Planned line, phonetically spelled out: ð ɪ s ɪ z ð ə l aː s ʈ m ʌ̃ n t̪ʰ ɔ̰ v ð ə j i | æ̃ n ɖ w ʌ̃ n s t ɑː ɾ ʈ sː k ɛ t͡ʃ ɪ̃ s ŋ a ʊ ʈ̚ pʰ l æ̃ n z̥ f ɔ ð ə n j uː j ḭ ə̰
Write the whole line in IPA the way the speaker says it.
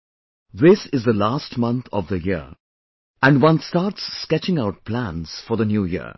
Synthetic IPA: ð ɪ s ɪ z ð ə l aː s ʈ m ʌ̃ n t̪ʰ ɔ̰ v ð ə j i | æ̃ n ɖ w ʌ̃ n s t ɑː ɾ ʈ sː k ɛ t͡ʃ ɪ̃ ŋ a ʊ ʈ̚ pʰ l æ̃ n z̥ f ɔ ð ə n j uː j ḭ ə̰